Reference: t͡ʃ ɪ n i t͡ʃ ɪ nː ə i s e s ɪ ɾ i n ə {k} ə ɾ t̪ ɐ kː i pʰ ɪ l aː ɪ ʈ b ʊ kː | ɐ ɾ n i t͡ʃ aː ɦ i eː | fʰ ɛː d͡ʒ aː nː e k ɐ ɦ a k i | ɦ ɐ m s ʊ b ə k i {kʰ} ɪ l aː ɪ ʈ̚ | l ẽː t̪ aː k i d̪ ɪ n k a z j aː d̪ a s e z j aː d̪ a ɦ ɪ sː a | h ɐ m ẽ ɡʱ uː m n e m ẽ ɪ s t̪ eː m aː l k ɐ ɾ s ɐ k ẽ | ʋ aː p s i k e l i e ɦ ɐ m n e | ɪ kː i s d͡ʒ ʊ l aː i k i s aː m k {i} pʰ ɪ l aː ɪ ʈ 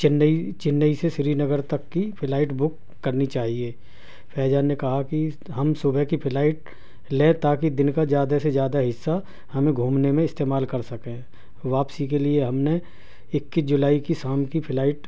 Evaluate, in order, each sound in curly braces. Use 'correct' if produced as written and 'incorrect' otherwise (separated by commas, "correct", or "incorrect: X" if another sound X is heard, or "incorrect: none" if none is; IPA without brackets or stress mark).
incorrect: ɡ, incorrect: pʰ, correct